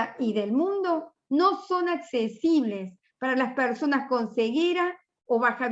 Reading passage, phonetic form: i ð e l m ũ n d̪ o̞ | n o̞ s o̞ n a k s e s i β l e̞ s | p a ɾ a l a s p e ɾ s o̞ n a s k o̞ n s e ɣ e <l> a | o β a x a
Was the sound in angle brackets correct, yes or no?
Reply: no